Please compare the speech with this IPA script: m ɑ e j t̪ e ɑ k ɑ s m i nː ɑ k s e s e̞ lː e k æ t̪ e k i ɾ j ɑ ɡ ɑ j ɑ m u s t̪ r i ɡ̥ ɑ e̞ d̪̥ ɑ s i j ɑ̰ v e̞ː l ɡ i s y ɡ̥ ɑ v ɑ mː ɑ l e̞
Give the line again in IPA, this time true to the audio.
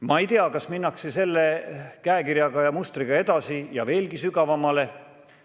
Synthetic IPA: m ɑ e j t̪ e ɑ k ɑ s m i nː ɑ k s e s e̞ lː e k æ e k i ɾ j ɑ ɡ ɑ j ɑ m u s t̪ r i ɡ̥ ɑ e̞ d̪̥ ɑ s i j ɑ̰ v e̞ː l ɡ i s y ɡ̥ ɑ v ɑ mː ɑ l e̞